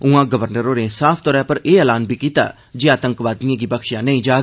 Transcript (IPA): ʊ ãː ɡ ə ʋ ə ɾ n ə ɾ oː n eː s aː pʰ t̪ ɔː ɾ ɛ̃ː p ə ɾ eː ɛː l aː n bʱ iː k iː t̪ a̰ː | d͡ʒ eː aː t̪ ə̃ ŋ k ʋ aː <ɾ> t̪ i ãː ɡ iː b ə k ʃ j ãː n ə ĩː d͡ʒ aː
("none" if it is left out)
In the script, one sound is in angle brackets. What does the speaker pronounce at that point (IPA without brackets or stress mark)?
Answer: none